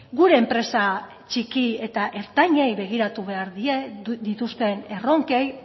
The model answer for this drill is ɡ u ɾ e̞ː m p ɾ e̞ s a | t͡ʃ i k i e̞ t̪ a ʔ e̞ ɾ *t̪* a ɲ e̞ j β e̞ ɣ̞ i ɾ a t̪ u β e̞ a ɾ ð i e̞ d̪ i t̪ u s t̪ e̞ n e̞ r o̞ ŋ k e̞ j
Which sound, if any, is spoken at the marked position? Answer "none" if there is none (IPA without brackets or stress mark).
t̪